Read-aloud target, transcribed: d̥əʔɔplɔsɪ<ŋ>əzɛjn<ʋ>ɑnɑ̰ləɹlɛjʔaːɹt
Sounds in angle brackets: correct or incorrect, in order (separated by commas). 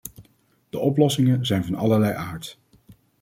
correct, incorrect